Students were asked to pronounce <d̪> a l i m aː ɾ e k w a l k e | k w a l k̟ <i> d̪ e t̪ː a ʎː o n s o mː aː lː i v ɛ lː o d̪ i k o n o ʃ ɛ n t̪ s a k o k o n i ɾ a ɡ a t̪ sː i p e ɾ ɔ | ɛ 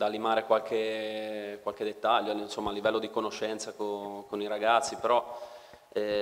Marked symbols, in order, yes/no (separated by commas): yes, no